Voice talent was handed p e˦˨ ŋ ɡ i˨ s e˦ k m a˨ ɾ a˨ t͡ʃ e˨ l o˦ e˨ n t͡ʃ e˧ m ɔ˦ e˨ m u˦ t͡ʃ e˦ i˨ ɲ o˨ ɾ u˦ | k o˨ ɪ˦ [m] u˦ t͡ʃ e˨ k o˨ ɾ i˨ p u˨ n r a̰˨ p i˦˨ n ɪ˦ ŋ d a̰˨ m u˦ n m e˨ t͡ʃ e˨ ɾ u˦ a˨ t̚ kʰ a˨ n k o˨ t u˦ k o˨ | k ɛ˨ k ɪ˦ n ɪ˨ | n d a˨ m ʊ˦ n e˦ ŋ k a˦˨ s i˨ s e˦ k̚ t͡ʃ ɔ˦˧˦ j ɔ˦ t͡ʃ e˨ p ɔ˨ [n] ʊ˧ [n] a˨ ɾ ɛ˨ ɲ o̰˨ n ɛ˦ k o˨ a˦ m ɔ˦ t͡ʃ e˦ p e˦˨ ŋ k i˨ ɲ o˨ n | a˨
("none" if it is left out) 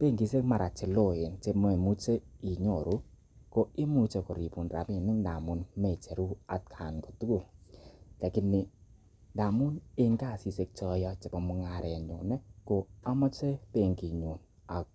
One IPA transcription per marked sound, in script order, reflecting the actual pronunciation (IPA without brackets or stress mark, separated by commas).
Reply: m, m, ŋ